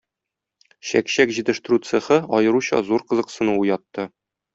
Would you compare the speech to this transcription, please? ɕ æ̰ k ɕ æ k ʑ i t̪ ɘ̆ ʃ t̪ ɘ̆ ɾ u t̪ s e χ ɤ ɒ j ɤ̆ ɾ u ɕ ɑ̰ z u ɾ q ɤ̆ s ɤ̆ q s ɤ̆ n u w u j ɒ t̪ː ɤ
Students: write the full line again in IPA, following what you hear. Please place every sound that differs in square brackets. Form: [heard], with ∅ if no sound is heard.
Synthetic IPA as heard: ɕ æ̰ k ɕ æ k ʑ i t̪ ɘ̆ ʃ t̪ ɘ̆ ɾ u t̪ s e χ ɤ ɒ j ɤ̆ ɾ u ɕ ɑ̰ z u ɾ q ɤ̆ [z] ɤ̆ q s ɤ̆ n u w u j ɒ t̪ː ɤ